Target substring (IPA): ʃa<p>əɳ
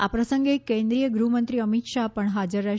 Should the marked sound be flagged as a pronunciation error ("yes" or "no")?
no